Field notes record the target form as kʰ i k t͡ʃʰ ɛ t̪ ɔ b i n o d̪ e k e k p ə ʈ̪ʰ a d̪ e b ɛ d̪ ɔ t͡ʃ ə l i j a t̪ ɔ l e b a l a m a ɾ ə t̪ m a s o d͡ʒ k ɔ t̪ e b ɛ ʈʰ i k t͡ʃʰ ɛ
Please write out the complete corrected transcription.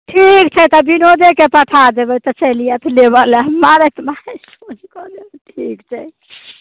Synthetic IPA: ʈʰ i k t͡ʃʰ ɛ t̪ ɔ b i n o d̪ e k e p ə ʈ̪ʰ a d̪ e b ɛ t̪ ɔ t͡ʃ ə l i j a t̪ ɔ l e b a l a m a ɾ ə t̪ m a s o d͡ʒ k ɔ d̪ e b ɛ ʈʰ i k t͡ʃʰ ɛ

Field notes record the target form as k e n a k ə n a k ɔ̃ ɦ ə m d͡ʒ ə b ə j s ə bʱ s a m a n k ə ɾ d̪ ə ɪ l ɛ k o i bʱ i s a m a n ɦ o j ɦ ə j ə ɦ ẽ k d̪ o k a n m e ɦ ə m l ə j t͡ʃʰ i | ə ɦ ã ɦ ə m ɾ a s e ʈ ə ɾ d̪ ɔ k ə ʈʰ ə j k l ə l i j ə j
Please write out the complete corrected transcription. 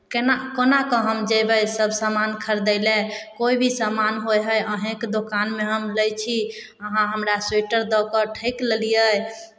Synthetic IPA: k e n a k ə n a k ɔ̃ ɦ ə m d͡ʒ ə b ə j s ə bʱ s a m a n kʰ ə ɾ d̪ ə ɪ l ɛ k o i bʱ i s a m a n ɦ o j ɦ ə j ə ɦ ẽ k d̪ o k a n m e ɦ ə m l ə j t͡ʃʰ i | ə ɦ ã ɦ ə m ɾ a s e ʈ ə ɾ d̪ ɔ k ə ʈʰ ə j k l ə l i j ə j

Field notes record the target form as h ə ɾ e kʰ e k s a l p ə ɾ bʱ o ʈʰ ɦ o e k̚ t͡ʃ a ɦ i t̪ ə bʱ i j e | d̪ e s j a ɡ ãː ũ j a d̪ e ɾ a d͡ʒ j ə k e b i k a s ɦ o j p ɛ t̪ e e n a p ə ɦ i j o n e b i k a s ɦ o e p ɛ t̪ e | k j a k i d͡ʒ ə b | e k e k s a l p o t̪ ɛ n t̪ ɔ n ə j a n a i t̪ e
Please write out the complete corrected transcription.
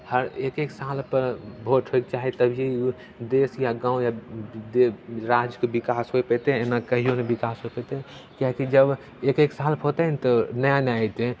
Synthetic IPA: h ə ɾ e k e k s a l p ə ɾ bʱ o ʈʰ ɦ o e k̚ t͡ʃ a ɦ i t̪ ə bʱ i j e | d̪ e s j a ɡ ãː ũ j a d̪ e ɾ a d͡ʒ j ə k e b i k a s ɦ o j p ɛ t̪ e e n a k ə ɦ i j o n e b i k a s ɦ o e p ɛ t̪ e | k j a k i d͡ʒ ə b | e k e k s a l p o t̪ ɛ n t̪ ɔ n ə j a n a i t̪ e

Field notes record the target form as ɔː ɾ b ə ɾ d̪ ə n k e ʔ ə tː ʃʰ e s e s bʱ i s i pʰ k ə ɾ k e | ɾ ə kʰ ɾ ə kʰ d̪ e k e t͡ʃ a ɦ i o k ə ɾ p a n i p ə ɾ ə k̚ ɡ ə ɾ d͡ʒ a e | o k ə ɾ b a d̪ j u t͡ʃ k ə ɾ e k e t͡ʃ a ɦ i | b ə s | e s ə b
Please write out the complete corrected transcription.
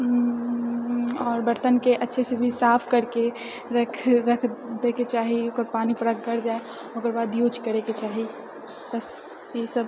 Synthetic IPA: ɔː ɾ b ə ɾ t̪ ə n k e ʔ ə tː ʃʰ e s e bʱ i s a pʰ k ə ɾ k e | ɾ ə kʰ ɾ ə kʰ d̪ e k e t͡ʃ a ɦ i o k ə ɾ p a n i p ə ɾ ə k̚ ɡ ə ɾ d͡ʒ a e | o k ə ɾ b a d̪ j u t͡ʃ k ə ɾ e k e t͡ʃ a ɦ i | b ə s | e s ə b

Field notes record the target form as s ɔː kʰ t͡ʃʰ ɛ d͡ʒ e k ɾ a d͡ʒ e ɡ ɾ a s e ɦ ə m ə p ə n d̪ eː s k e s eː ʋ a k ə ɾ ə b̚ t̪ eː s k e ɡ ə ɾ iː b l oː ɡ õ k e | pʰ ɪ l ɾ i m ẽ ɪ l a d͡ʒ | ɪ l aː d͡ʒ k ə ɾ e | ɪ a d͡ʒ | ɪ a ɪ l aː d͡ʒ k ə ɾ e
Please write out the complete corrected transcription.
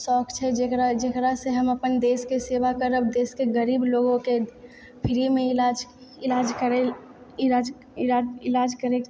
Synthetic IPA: s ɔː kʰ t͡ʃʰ ɛ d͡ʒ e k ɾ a d͡ʒ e k ɾ a s e ɦ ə m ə p ə n d̪ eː s k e s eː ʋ a k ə ɾ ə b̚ d̪ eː s k e ɡ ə ɾ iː b l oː ɡ õ k e | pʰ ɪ ɾ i m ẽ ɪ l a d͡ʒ | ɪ l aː d͡ʒ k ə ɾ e | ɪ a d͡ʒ | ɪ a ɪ l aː d͡ʒ k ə ɾ e

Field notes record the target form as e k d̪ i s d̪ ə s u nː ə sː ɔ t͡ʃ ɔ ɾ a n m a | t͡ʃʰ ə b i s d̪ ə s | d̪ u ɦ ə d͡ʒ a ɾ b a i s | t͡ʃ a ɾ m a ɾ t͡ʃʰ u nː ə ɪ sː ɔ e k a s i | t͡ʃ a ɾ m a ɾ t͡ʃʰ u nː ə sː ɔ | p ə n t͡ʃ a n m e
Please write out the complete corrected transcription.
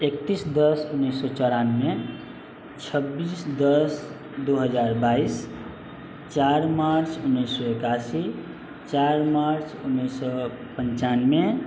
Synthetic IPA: e k t̪ i s d̪ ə s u nː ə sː ɔ t͡ʃ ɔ ɾ a n m e | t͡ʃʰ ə b i s d̪ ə s | d̪ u ɦ ə d͡ʒ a ɾ b a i s | t͡ʃ a ɾ m a ɾ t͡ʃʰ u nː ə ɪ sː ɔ e k a s i | t͡ʃ a ɾ m a ɾ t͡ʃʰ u nː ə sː ɔ | p ə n t͡ʃ a n m e

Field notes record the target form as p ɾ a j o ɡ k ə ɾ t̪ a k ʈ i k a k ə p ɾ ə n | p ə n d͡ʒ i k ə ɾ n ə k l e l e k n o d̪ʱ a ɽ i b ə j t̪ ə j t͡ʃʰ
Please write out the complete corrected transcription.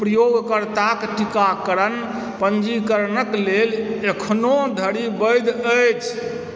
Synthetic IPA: p ɾ ə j o ɡ k ə ɾ t̪ a k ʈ i k a k ə ɾ ə n | p ə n d͡ʒ i k ə ɾ n ə k l e l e kʰ n o d̪ʱ ə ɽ i b ə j d̪ ə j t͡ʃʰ

